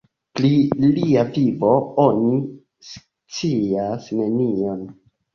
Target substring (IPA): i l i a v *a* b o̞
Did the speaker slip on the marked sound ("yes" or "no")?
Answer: yes